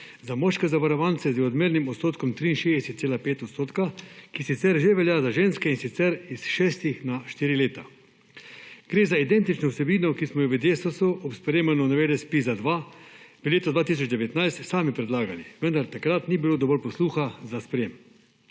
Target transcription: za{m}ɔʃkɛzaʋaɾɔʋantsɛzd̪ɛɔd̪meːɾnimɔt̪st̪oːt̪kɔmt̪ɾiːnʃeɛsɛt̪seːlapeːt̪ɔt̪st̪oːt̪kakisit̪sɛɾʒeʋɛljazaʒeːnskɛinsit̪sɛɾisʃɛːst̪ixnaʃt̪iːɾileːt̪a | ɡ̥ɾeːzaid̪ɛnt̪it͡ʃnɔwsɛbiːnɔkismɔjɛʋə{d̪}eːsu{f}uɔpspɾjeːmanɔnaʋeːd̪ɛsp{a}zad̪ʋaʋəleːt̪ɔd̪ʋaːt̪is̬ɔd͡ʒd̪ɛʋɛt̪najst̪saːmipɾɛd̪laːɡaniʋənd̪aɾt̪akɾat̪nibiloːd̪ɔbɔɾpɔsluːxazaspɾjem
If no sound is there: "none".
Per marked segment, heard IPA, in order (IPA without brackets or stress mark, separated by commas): m, d̪, s, i